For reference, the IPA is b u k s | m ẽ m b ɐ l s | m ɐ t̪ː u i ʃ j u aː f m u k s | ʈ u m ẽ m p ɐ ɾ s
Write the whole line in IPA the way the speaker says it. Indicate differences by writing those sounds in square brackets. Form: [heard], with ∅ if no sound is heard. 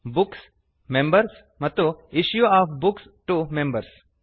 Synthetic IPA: b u k s | m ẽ m b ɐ [ɾ] s | m ɐ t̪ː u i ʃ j u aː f [b] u k s | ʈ u m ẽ m [b] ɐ ɾ s